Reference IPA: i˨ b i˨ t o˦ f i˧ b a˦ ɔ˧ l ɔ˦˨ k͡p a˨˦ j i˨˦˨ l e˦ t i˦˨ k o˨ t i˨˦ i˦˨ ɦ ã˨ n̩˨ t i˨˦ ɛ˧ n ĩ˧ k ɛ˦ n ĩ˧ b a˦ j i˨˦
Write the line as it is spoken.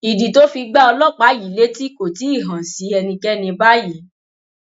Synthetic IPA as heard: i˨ d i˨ t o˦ f i˧ ɡ͡b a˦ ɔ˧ l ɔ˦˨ k͡p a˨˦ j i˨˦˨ l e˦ t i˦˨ k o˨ t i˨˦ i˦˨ ɦ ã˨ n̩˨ s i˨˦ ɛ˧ n ĩ˧ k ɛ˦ n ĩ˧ b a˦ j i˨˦